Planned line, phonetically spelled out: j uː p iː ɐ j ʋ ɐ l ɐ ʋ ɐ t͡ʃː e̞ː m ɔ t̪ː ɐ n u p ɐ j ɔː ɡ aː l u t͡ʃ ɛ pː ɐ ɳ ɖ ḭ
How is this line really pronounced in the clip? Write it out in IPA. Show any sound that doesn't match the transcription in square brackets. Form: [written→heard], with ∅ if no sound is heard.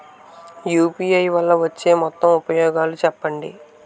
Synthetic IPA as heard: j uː p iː ɐ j ʋ ɐ [l→lː] ɐ ʋ ɐ t͡ʃː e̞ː m ɔ t̪ː ɐ [n→m] u p ɐ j ɔː ɡ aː l u t͡ʃ ɛ pː ɐ ɳ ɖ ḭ